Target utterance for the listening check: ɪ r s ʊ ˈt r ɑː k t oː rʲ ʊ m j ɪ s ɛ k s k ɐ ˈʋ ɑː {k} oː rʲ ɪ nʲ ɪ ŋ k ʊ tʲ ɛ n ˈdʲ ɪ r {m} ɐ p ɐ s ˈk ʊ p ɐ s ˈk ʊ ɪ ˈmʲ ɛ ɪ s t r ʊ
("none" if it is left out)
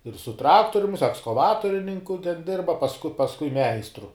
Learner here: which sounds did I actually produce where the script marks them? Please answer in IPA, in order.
t, b

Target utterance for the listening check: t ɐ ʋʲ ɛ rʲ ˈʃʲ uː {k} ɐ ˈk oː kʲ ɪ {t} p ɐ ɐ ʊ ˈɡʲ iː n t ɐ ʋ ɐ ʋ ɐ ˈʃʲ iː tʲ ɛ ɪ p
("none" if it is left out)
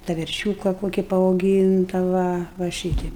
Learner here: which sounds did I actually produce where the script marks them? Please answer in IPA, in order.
k, none

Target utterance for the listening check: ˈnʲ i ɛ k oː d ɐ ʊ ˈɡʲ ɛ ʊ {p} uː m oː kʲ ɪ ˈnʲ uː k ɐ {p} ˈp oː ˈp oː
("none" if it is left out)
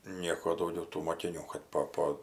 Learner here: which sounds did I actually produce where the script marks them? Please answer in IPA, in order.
t, t

